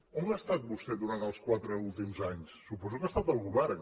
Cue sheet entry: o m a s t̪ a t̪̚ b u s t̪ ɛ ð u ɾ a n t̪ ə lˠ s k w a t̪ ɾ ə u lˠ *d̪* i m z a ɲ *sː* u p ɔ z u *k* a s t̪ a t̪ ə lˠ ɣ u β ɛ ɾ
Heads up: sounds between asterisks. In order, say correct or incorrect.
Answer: incorrect: t̪, correct, correct

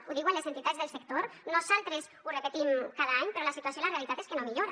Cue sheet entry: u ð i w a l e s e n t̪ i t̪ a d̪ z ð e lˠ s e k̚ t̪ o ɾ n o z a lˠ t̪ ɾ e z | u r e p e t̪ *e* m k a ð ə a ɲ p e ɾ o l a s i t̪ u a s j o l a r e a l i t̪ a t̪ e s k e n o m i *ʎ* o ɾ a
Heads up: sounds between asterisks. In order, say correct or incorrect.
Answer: incorrect: i, correct

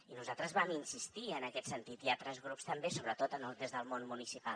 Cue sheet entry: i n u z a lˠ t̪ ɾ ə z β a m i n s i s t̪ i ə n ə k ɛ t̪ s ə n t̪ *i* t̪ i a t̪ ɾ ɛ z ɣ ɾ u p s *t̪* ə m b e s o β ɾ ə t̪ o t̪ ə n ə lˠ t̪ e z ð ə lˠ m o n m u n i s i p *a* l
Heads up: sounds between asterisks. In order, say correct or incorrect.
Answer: correct, correct, correct

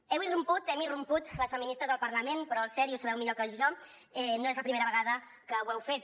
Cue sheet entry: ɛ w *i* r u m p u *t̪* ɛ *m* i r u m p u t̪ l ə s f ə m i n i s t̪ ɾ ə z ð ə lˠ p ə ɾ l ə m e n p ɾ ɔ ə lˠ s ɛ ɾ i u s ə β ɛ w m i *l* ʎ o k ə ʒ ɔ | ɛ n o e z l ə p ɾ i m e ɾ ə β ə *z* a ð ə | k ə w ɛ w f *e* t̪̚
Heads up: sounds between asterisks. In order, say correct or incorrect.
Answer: correct, correct, correct, incorrect: none, incorrect: ɣ, correct

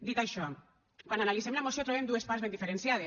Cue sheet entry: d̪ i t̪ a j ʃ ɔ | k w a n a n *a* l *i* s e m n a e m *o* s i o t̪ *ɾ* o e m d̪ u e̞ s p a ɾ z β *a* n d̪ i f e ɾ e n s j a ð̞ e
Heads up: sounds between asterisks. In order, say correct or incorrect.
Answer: correct, correct, correct, correct, incorrect: e

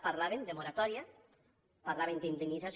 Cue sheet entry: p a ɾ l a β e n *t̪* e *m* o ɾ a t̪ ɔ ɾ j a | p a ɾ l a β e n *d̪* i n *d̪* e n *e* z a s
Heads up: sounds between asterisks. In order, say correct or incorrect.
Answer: incorrect: d̪, correct, correct, correct, incorrect: i

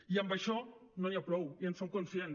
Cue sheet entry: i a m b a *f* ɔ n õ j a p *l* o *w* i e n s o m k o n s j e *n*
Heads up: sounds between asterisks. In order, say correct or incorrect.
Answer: incorrect: ʃ, incorrect: ɾ, correct, correct

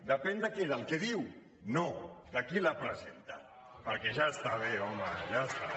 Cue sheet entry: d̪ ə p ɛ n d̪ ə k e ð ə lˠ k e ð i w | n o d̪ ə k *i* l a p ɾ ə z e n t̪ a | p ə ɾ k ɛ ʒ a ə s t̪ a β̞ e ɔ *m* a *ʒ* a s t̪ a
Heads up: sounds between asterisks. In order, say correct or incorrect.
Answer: correct, correct, correct

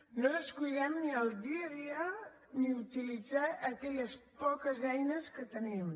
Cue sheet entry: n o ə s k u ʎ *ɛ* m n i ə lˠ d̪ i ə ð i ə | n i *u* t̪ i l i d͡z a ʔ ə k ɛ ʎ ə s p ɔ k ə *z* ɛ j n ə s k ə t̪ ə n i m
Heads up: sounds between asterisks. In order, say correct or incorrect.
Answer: correct, correct, correct

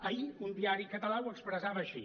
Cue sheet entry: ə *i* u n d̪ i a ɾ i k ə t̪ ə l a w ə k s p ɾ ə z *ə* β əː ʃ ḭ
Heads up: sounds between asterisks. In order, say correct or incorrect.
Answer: correct, incorrect: a

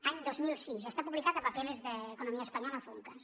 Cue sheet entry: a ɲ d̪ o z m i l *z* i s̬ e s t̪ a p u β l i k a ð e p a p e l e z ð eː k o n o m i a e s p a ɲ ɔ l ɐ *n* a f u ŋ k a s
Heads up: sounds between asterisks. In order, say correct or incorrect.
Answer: incorrect: s, incorrect: none

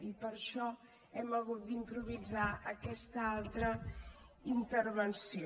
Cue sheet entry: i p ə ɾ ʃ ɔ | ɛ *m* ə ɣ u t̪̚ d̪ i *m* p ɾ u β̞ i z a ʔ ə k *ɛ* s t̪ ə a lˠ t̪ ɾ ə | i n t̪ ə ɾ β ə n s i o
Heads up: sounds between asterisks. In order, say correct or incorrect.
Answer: correct, correct, correct

